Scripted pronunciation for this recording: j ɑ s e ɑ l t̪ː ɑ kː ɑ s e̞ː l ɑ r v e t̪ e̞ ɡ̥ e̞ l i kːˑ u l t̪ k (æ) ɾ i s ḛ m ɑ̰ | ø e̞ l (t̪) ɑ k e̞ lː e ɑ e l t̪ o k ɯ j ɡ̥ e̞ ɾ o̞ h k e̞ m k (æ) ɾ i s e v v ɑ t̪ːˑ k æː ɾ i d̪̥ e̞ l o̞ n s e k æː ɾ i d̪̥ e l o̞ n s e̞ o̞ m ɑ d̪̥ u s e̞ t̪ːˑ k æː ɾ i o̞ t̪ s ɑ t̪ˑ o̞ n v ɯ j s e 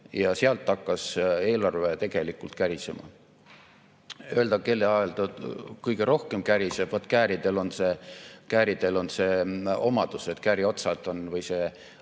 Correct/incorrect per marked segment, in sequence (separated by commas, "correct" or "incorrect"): correct, incorrect, correct